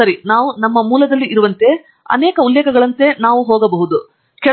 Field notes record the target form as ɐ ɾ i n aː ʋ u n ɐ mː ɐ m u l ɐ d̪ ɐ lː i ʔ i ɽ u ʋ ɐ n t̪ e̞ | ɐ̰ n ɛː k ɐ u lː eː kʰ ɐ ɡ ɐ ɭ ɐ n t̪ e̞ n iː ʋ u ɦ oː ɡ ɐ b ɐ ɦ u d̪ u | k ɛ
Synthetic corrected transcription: ɐ ɾ i n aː ʋ u n ɐ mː ɐ m uː l ɐ d̪ ɐ lː i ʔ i ɾ u ʋ ɐ n t̪ e̞ | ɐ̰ n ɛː k ɐ u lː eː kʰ ɐ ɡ ɐ ɭ ɐ n t̪ e̞ n aː ʋ u ɦ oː ɡ ɐ b ɐ ɦ u d̪ u | k ɛ